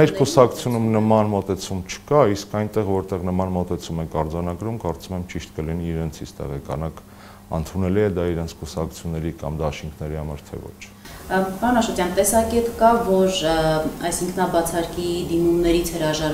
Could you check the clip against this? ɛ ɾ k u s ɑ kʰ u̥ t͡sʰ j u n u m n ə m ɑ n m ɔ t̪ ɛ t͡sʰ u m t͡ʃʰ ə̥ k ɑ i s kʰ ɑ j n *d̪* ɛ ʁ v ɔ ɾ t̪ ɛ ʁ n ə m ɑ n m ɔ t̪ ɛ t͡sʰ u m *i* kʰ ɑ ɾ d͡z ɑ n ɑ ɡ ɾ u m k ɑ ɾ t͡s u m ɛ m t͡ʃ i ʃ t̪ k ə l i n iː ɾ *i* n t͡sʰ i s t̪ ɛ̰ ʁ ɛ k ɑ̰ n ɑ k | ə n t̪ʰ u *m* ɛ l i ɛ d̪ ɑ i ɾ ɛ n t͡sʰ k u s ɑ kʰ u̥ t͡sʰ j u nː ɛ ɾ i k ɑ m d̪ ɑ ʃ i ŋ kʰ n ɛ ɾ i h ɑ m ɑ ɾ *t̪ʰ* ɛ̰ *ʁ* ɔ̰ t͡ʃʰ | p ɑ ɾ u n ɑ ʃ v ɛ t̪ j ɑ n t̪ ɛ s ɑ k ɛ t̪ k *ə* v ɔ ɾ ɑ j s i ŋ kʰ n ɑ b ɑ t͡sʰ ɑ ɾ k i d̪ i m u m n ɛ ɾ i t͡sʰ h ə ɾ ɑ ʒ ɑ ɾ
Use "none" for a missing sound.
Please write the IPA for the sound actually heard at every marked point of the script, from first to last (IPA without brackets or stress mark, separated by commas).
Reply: t̪, ɛ, ɛ, n, t̪ʰ, v, ɑ